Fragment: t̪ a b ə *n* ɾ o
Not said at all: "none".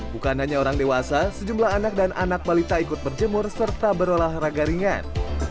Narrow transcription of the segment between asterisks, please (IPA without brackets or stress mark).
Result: none